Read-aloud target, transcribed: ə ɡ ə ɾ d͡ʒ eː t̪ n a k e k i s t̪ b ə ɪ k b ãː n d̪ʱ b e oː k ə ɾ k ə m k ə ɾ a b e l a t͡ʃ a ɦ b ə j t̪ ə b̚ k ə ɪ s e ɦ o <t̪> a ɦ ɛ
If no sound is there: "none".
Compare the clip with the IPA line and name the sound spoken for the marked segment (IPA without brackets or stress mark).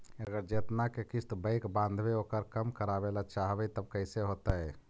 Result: t̪